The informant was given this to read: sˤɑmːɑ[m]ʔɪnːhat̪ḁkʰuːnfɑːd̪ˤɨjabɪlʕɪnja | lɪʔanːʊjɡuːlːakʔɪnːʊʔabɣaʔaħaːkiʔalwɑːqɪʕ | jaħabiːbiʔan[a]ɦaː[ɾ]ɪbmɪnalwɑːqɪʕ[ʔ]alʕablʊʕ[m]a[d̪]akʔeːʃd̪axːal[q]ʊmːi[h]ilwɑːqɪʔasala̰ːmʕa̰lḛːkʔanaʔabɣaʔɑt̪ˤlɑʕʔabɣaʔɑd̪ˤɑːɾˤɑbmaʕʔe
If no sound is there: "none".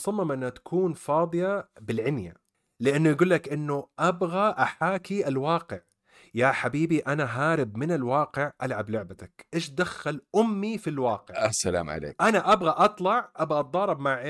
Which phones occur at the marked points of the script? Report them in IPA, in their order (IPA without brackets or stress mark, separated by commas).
m, a, ɾ, ʔ, b, t̪, ʔ, f